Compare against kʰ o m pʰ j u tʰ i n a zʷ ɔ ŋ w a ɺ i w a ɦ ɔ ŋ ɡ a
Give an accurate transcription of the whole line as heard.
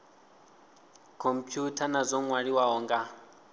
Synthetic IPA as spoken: kʰ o m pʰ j u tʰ a n a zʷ ɔ ŋ w a ɺ i w a ɦ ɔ ŋ ɡ a

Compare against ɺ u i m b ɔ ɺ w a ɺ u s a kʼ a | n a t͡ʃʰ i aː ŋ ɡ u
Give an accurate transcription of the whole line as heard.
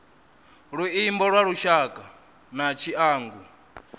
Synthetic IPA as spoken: ɺ u i m b ɔ ɺ w a ɺ u ʃ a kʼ a | n a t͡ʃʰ i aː ŋ ɡ u

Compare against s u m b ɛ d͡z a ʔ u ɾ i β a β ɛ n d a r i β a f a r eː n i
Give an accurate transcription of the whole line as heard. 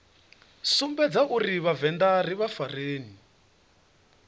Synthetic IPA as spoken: s u m b ɛ d͡z a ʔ u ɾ i β a v ɛ n d a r i β a f a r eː n i

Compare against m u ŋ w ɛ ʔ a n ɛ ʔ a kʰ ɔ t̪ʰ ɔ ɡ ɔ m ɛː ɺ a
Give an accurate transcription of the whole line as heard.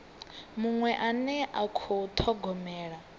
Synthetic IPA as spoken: m u ŋ w ɛ ʔ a n ɛ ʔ a kʰ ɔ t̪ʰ ɔ ɡ ɔ m ɛː ɺ a

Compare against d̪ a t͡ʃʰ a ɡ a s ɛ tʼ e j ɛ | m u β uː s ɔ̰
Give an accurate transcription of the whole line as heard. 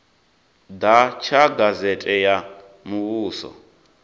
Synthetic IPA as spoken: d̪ a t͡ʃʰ a ɡ a z ɛ tʼ ɛ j a | m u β uː s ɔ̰

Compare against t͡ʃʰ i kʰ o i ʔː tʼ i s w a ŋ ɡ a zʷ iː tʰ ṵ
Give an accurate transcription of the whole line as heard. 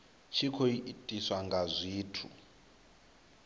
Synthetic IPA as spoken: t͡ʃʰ i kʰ o i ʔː tʼ i s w a ŋ ɡ a zʷ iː tʰ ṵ

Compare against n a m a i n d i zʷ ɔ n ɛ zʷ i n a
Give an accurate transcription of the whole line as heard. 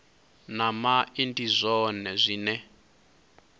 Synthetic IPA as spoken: n a m a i n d i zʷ ɔ n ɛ zʷ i n ɛ

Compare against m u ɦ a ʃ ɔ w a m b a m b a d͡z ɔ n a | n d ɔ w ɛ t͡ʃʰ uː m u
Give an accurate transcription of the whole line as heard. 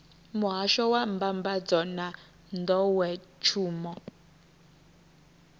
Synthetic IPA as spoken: m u ɦ a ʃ ɔ w a m b a m b a d͡z ɔ n a | n d ɔ w ɛ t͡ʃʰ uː m ɔ

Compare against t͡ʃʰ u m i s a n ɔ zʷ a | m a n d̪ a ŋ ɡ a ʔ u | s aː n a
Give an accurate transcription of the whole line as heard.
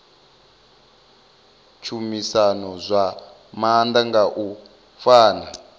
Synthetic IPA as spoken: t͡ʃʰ u m i s a n ɔ zʷ a | m a n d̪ a ŋ ɡ a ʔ u | f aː n a

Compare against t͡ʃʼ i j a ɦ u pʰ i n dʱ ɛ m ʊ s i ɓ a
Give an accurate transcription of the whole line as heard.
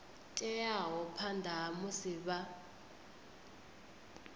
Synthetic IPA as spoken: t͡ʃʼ ɛ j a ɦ ɔ pʰ a n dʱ a m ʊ s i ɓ a

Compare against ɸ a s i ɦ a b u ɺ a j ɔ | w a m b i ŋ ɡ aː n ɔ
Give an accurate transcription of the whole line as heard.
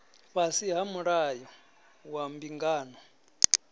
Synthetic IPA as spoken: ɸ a s i ɦ a m u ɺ a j ɔ | w a m b i ŋ ɡ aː n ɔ

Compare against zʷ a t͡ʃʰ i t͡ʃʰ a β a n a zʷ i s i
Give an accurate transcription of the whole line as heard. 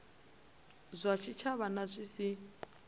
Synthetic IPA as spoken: zʷ a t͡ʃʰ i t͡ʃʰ a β a n a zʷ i s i

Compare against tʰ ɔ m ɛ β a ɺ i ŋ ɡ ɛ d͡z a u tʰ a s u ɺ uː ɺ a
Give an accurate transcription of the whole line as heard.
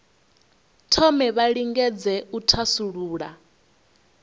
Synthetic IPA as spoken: tʰ ɔ m ɛ β a ɺ i ŋ ɡ ɛ d͡z ɛ u tʰ a s u ɺ uː ɺ a

